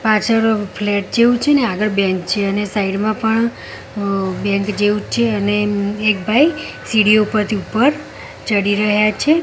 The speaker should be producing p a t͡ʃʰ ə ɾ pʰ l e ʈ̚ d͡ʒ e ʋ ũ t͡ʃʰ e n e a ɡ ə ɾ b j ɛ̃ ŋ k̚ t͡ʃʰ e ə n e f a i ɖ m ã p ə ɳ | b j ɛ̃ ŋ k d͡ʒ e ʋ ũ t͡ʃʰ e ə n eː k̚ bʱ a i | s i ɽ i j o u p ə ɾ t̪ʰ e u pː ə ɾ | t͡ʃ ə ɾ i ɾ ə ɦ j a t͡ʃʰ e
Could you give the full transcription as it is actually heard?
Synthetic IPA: p a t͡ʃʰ ə ɾ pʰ l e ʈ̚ d͡ʒ e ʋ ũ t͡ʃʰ e n e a ɡ ə ɾ b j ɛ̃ ŋ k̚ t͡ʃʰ e ə n e s a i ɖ m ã p ə ɳ | b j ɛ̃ ŋ k d͡ʒ e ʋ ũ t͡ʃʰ e ə n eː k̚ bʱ a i | s i ɽ i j o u p ə ɾ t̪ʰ i u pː ə ɾ | t͡ʃ ə ɽ i ɾ ə ɦ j a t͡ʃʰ e